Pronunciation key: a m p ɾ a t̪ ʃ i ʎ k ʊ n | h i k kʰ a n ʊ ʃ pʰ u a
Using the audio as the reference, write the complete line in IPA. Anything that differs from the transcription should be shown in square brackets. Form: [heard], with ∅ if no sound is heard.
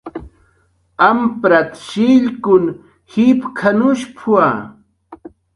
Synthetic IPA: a m p ɾ a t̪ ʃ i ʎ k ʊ n | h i [p] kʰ a n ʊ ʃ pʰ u a